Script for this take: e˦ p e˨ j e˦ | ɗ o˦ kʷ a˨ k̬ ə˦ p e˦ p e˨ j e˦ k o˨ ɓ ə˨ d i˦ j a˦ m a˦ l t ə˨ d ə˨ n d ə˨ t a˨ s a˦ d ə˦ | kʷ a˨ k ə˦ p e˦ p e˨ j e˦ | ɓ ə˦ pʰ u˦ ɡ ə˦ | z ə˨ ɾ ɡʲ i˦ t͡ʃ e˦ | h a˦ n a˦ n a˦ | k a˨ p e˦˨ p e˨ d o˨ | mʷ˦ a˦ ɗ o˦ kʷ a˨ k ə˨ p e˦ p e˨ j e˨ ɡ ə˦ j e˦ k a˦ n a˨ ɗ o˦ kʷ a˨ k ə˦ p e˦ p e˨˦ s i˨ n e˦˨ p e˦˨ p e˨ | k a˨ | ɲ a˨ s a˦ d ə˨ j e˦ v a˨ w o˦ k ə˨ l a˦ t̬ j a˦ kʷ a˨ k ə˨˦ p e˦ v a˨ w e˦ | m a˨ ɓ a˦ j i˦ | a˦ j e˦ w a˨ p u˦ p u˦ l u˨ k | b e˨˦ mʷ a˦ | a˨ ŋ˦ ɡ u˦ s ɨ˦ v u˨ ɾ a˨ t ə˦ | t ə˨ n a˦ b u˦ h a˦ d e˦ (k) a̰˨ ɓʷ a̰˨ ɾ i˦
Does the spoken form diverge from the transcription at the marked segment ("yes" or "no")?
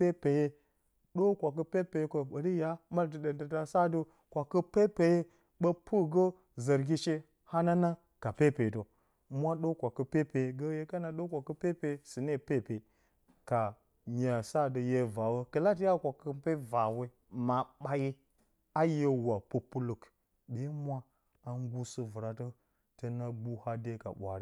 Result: no